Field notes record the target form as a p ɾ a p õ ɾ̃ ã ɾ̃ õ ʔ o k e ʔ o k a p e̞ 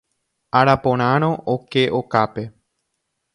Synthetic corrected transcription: a ɾ a p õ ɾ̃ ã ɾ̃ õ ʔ o k e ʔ o k a p e̞